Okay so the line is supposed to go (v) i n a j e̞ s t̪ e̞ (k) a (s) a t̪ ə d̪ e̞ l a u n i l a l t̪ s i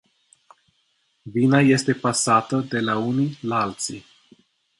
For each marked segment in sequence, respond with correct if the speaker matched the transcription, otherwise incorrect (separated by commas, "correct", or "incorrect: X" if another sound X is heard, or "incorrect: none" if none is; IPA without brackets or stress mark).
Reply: correct, incorrect: p, correct